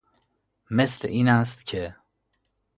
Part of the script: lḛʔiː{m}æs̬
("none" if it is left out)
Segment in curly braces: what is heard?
n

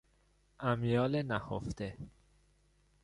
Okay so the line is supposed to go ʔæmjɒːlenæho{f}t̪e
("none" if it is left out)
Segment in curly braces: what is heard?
f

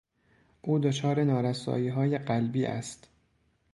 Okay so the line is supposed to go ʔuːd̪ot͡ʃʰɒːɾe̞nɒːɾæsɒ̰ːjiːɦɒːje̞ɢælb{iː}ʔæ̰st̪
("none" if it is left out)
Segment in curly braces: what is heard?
iː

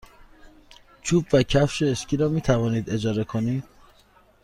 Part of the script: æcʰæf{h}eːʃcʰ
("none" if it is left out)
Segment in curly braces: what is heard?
ʃ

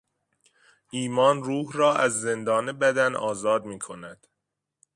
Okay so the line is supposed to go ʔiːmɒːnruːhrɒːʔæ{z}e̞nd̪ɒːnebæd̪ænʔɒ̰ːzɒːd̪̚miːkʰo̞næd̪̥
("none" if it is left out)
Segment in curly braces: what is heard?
zː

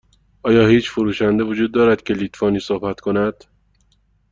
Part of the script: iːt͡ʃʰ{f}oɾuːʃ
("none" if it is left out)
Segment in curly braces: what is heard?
f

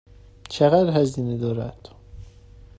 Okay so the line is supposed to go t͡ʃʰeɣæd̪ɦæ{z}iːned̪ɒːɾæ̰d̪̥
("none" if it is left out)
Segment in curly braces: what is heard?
z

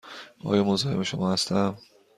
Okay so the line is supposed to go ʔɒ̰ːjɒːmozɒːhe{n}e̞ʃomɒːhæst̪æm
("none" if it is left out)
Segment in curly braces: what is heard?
m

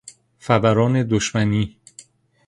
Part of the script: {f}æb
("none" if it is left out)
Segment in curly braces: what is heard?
f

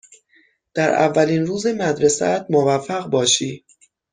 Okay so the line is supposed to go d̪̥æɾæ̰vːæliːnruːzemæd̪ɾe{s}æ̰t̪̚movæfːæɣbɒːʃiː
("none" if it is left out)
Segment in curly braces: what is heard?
s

